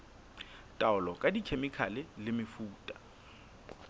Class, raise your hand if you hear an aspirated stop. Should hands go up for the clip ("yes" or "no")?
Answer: yes